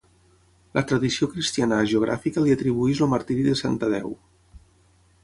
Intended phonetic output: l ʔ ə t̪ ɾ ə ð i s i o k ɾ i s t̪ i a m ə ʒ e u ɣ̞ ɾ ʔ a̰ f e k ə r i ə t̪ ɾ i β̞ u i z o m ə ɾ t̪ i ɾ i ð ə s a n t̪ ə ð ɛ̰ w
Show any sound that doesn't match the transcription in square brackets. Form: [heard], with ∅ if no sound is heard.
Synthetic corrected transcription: l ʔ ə t̪ ɾ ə ð i s i o k ɾ i s t̪ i a [n] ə ʒ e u ɣ̞ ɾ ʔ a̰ f [i] k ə [l] i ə t̪ ɾ i β̞ u i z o m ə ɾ t̪ i ɾ i ð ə s a n t̪ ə ð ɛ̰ w